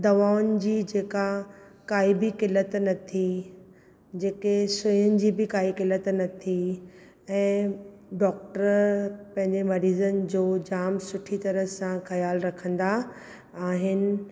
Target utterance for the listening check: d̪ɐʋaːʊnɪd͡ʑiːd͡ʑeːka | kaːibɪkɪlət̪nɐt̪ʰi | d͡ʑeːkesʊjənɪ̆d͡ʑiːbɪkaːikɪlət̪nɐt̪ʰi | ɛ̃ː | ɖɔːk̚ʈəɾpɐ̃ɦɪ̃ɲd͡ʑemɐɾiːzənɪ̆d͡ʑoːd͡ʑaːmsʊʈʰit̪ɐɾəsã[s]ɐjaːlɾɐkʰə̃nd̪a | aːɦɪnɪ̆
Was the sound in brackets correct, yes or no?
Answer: no